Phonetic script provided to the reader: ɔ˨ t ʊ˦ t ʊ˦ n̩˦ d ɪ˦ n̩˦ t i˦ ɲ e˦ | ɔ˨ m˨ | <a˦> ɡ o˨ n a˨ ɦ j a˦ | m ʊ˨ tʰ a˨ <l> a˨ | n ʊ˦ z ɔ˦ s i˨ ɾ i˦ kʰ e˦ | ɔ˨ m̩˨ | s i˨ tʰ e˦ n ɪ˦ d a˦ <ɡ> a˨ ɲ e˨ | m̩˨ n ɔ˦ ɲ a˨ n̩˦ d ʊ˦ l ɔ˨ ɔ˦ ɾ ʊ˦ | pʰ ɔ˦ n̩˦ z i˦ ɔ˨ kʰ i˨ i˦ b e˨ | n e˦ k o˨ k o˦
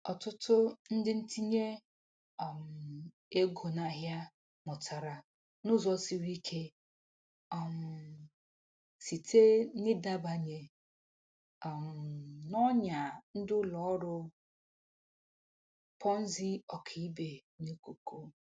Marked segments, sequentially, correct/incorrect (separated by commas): incorrect, incorrect, incorrect